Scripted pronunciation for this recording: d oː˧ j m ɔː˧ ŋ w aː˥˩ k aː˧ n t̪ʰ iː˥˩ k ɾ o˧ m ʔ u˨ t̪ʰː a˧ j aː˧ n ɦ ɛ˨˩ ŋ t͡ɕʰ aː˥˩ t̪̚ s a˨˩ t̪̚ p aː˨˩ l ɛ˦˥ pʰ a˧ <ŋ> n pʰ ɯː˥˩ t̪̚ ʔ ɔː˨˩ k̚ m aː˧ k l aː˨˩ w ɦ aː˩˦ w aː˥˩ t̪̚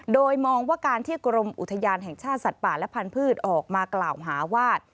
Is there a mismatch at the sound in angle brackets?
yes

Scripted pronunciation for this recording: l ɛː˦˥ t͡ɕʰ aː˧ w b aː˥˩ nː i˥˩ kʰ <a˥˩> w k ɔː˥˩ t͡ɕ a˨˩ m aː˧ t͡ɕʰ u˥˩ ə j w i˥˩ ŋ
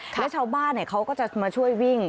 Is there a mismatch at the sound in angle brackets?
yes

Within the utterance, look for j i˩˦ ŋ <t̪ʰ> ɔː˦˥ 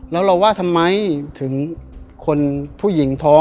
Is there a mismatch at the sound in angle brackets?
no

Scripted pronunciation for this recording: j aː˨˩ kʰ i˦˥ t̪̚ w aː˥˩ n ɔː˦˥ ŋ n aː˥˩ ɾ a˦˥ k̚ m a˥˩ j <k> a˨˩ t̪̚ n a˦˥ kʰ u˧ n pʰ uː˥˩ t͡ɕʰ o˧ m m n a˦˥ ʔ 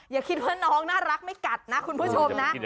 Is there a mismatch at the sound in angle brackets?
no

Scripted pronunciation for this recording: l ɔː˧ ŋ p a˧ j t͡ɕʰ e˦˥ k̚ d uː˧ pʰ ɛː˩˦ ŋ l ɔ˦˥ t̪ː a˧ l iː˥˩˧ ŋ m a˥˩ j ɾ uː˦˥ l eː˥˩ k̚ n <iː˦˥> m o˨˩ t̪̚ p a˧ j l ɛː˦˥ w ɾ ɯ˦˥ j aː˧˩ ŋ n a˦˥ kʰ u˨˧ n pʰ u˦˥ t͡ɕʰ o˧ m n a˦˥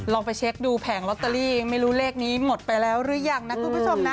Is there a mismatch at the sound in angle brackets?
no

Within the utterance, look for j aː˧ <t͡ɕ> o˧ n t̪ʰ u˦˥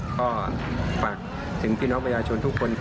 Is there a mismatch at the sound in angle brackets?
yes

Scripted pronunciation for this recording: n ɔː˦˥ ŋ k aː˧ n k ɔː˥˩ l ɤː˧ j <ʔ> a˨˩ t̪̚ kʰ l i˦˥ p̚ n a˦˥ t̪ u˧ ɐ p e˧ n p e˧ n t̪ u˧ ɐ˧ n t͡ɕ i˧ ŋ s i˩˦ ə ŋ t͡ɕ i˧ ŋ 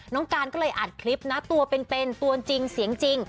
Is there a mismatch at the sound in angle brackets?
no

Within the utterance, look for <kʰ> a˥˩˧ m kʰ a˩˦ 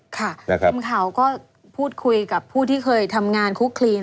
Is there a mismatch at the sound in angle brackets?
no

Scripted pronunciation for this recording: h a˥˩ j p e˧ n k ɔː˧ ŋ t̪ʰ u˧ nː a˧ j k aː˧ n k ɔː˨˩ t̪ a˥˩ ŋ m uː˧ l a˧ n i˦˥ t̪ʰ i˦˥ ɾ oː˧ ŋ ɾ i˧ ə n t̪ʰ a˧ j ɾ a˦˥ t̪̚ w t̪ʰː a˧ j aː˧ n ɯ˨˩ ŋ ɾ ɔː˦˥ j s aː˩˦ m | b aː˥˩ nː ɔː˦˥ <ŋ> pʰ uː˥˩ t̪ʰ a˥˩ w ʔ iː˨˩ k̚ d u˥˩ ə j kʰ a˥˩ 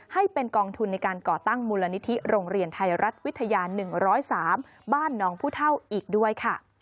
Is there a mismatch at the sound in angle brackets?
no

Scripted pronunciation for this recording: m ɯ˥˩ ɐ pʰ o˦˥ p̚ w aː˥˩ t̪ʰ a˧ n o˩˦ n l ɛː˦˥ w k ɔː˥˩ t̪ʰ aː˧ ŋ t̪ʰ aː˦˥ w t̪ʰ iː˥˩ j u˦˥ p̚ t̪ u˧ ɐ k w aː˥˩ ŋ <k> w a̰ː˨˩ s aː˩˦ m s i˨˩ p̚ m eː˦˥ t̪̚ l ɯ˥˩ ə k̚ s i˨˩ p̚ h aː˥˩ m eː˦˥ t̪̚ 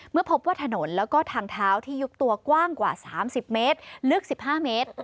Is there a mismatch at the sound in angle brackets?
no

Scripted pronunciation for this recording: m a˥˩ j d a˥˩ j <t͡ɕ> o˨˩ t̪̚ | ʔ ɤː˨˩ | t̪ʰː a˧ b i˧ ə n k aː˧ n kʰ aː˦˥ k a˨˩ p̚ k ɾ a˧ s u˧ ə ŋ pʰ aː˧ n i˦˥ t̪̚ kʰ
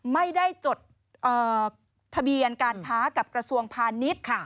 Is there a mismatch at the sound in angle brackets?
no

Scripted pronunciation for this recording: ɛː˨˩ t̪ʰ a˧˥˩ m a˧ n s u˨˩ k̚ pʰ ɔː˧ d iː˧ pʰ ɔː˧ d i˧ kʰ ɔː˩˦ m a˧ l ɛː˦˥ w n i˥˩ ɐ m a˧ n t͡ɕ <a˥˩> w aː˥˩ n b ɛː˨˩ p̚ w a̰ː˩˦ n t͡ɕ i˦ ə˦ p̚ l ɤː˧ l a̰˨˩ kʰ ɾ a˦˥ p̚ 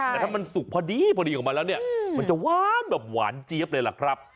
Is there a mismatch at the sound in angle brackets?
yes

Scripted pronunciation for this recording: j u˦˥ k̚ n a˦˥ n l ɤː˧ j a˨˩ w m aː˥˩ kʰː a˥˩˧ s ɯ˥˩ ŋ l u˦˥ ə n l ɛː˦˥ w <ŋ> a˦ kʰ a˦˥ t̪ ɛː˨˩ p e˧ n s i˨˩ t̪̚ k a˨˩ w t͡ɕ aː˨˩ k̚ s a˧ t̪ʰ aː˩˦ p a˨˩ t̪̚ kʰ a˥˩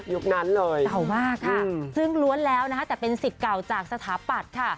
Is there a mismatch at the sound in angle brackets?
yes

